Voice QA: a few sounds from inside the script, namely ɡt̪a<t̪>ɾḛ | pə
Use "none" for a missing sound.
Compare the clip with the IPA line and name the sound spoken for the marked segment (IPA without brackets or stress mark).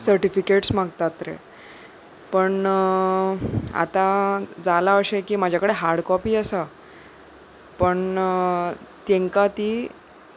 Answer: t̪